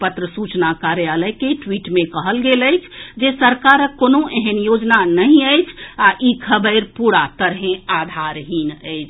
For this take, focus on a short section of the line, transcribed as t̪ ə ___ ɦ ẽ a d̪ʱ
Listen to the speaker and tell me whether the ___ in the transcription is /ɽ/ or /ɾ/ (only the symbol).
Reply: ɾ